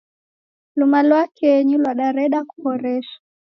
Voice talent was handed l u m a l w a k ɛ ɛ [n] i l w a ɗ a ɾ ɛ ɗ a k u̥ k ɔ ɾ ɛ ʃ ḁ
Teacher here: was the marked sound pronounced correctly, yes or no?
no